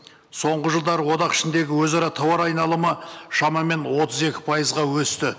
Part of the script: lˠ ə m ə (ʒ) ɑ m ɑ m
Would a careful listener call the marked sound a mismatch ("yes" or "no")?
yes